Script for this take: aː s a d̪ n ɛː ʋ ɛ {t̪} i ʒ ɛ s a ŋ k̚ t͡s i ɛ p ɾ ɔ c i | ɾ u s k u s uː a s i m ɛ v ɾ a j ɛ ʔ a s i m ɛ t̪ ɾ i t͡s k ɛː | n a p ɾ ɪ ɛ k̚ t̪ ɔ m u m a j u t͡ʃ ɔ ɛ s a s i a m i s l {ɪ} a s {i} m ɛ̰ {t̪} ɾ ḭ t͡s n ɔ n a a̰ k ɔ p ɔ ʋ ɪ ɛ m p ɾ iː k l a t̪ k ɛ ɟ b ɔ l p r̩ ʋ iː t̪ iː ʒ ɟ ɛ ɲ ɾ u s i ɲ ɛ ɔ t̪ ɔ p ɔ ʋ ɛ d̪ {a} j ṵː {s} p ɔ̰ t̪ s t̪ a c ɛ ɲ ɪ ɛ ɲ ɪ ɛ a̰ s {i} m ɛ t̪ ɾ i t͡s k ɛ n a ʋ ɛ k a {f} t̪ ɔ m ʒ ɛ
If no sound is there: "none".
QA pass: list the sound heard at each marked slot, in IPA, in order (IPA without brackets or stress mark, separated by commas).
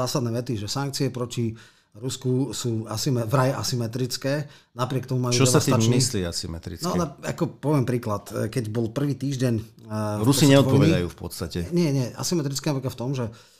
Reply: t̪, i, i, t̪, a, f, i, f